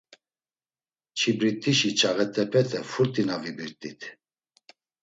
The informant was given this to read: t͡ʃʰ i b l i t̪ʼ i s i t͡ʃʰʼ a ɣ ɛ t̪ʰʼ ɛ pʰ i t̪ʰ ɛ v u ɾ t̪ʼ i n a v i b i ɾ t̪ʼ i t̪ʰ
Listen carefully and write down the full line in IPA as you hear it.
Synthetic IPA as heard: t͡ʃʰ i b ɾ i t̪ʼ i ʃ i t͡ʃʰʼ a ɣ ɛ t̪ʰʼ ɛ pʰ ɛ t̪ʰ ɛ f u ɾ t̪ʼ i n a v i b i ɾ t̪ʼ i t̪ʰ